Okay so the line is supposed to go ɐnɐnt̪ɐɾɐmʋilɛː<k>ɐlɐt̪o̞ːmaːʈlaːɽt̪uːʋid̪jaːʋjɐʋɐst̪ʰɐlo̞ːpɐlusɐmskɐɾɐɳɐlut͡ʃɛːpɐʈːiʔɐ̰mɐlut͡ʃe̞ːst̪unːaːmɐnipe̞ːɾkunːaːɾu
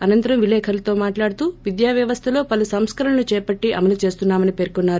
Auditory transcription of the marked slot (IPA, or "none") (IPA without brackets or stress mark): kʰ